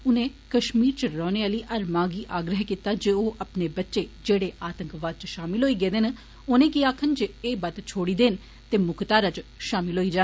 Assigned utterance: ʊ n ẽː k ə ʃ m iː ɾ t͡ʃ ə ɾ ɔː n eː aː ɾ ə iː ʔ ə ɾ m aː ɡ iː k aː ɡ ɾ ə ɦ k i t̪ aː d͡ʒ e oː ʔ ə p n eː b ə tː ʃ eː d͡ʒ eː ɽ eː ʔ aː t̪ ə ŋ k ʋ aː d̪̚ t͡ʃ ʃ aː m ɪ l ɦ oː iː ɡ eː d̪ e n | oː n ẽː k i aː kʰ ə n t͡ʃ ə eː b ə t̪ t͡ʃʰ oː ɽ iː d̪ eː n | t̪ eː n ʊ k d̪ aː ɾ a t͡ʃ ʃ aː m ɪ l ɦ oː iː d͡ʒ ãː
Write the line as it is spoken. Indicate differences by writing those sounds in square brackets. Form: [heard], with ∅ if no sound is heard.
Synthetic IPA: ʊ n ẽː k ə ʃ m iː ɾ t͡ʃ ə ɾ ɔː n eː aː [l] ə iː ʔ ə ɾ m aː ɡ iː [ʔ] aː ɡ ɾ ə ɦ k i t̪ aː d͡ʒ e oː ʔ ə p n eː b ə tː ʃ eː d͡ʒ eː ɽ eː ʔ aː t̪ ə ŋ k ʋ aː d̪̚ t͡ʃ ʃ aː m ɪ l ɦ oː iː ɡ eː d̪ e n | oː n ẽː k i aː kʰ ə n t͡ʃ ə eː b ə t̪ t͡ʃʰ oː ɽ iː d̪ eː n | t̪ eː [m] ʊ k [t̪] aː ɾ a t͡ʃ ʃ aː m ɪ l ɦ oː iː d͡ʒ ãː